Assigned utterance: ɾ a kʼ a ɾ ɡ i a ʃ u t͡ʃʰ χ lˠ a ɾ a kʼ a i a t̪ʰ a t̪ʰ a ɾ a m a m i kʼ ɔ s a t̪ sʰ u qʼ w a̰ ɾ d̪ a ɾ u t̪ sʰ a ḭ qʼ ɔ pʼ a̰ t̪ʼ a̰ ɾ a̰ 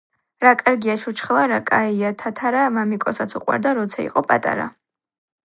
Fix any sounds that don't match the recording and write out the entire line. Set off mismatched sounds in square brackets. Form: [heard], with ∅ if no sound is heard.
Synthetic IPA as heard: ɾ a kʼ a ɾ ɡ i a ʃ u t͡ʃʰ χ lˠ a ɾ a kʼ a i a t̪ʰ a t̪ʰ a ɾ a m a m i kʼ ɔ s a t̪ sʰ u qʼ w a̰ ɾ d̪ a ɾ [ɔ] t̪ sʰ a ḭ qʼ ɔ pʼ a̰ t̪ʼ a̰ ɾ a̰